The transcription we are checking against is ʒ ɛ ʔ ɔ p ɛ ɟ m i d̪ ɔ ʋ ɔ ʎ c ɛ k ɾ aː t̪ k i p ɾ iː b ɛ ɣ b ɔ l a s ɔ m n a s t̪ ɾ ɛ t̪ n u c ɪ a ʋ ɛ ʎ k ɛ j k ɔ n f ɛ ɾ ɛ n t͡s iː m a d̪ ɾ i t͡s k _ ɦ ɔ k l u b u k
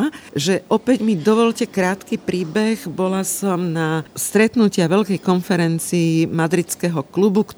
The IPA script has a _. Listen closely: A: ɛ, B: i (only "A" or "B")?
A